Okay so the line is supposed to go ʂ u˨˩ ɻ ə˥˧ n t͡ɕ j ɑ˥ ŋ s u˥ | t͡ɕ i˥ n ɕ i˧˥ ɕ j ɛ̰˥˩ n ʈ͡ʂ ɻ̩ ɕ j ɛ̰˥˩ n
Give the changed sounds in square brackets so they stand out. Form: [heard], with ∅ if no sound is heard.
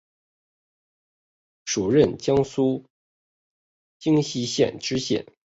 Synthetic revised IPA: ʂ u˨˩ ɻ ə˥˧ n t͡ɕ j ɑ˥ ŋ s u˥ | t͡ɕ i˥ [ŋ] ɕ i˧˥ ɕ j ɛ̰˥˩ n ʈ͡ʂ ɻ̩ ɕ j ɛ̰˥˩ n